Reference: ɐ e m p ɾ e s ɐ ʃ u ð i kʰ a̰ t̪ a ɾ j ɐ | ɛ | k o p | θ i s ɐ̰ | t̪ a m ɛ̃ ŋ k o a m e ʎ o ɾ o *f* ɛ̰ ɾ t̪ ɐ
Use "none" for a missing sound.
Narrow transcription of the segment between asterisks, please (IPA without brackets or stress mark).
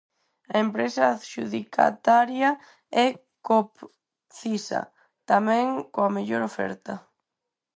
f